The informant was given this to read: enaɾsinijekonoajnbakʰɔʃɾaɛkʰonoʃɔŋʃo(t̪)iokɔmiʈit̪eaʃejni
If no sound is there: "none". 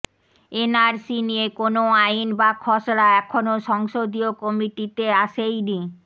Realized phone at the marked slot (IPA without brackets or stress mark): d̪